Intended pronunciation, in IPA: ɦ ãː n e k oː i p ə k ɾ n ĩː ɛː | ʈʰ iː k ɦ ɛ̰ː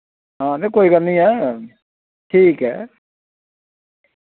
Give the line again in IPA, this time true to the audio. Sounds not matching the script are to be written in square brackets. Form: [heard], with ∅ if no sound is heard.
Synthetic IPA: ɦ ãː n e k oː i [k] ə [∅] ɾ n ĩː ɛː | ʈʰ iː k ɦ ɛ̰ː